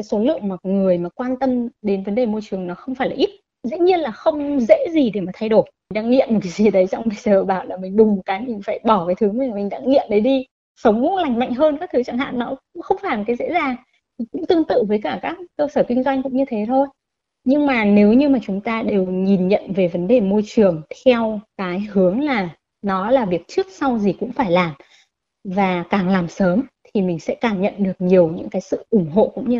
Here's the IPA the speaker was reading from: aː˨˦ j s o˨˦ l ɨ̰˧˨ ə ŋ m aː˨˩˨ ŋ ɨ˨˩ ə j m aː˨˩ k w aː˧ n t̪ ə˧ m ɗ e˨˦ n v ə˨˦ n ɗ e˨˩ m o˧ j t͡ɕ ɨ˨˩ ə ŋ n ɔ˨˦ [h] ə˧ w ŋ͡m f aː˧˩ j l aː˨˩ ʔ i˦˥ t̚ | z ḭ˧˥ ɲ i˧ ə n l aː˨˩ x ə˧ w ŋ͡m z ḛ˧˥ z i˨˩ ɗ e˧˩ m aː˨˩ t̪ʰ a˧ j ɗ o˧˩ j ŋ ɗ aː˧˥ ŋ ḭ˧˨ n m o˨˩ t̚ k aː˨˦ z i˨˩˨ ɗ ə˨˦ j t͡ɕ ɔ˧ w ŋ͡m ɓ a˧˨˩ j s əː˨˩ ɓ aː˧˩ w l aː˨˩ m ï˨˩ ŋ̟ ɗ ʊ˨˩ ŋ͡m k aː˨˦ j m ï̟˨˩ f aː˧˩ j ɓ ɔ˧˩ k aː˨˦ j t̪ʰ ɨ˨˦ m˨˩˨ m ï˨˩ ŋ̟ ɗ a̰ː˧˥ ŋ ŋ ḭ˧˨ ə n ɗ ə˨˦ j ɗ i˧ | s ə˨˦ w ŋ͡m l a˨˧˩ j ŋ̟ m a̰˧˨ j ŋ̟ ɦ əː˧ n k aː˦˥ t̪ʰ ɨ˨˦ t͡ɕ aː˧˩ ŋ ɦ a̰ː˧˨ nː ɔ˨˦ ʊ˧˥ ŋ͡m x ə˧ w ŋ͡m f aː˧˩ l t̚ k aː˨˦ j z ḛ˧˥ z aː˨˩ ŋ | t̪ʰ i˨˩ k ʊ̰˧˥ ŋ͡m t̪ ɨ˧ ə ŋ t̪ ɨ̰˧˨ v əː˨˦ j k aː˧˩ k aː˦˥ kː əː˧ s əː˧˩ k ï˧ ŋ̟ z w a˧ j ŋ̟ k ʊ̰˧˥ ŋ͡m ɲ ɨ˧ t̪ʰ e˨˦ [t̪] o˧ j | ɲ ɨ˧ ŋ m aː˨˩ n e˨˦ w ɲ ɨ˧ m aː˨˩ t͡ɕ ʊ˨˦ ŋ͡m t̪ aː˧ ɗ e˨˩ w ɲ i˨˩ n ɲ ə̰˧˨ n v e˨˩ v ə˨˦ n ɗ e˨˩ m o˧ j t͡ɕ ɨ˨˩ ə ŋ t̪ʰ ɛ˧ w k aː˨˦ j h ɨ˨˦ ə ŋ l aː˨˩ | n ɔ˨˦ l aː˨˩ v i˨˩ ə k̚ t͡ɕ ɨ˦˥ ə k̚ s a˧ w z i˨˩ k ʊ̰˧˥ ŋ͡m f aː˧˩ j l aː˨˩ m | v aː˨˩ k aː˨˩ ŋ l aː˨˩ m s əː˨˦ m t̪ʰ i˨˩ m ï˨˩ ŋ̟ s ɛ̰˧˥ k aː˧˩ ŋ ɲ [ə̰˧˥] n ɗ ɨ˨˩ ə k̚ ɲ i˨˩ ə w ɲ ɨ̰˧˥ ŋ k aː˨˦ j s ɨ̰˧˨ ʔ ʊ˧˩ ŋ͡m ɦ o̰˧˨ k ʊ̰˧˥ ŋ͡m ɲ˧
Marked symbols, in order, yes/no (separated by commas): no, no, no